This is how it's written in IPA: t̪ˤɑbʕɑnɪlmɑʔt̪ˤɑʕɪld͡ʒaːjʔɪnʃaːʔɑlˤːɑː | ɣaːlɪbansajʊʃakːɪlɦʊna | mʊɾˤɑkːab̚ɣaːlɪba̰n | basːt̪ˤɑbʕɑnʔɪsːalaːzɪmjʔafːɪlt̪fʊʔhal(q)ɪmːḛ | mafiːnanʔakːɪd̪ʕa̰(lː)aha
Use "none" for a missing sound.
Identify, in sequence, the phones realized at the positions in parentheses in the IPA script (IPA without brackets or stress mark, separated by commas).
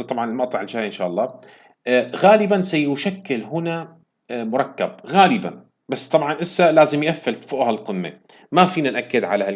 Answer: q, l